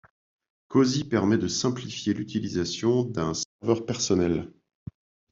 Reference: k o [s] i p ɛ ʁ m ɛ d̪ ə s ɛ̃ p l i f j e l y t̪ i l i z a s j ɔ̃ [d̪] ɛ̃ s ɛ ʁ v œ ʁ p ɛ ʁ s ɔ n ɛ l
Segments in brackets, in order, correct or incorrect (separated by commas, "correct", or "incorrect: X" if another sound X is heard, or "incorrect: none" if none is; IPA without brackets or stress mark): incorrect: z, correct